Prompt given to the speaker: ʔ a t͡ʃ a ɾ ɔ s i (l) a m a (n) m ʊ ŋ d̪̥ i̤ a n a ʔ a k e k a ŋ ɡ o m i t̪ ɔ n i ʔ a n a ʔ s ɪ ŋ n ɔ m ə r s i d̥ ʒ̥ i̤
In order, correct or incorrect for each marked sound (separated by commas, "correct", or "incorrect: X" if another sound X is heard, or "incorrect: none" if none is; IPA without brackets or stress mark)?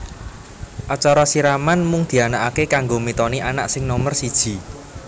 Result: incorrect: ɾ, correct